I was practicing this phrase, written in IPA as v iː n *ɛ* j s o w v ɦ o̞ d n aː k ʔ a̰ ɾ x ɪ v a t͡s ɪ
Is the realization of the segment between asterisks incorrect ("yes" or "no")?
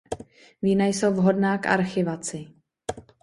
yes